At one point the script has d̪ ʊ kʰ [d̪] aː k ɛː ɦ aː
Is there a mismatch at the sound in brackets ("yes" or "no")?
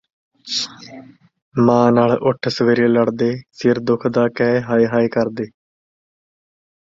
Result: no